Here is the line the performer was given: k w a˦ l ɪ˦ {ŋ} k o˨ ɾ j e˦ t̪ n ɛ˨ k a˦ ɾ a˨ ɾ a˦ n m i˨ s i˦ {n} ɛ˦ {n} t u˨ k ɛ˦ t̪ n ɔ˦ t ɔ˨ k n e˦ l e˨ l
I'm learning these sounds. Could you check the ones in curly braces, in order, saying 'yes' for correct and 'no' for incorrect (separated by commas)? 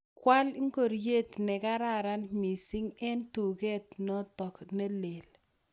yes, no, yes